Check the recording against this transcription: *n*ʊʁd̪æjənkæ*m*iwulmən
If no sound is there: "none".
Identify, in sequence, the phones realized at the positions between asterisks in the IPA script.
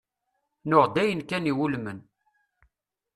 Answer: n, n

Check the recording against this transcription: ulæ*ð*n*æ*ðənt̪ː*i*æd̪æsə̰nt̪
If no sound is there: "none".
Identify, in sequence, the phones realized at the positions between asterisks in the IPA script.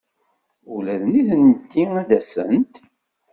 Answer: ð, i, i

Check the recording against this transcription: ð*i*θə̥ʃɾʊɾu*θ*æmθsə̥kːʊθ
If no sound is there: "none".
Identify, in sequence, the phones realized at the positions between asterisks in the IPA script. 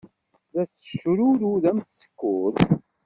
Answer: æ, ð

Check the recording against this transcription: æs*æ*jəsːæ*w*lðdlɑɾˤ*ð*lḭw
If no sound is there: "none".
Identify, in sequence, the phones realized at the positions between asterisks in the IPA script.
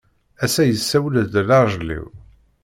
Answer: æ, w, ʒ

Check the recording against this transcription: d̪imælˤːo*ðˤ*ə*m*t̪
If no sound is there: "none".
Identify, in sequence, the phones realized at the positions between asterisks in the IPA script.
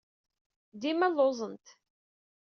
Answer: zˤ, n

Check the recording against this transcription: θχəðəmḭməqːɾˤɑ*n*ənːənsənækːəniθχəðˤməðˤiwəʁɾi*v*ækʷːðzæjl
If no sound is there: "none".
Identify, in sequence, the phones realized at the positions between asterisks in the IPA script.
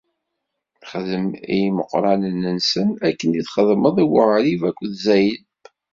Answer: n, v

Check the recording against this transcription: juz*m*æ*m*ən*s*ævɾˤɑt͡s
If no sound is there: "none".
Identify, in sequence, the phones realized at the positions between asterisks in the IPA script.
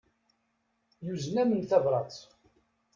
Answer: n, m, θ

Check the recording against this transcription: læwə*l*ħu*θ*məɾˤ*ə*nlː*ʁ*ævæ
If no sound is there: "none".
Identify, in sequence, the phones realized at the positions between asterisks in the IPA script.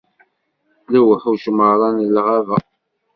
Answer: none, ʃ, ɑ, ʁ

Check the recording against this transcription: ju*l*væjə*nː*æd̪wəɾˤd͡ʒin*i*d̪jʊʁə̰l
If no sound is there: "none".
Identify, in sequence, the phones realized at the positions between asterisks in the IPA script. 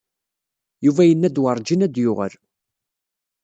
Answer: none, nː, æ

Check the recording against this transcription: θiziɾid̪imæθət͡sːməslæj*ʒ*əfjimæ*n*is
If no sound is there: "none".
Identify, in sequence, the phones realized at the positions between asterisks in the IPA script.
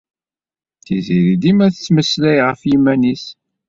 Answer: ʁ, n

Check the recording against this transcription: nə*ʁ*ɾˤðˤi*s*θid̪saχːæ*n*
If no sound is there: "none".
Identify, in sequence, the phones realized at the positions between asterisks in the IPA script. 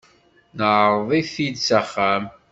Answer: ʕ, none, m

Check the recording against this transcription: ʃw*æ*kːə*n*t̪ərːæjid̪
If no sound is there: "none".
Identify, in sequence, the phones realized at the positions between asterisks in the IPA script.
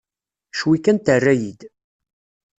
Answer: i, n

